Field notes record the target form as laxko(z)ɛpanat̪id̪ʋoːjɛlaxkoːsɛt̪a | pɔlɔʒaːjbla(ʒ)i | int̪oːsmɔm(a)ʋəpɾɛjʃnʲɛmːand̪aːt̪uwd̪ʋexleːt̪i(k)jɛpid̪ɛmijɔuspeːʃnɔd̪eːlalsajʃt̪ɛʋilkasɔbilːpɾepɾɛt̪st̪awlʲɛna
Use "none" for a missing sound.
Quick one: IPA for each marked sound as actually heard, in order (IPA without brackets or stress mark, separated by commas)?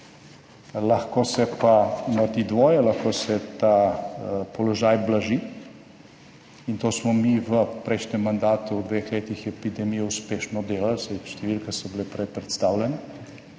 s, ʒ, i, x